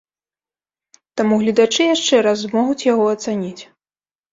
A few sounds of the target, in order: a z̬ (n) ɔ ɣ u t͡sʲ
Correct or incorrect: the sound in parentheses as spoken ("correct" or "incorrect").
incorrect